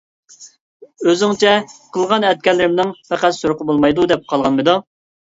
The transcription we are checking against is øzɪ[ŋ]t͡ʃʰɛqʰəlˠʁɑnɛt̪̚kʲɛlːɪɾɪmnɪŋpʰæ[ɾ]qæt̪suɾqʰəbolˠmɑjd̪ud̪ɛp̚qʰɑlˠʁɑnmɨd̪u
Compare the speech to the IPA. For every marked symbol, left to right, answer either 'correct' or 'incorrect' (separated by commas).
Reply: correct, incorrect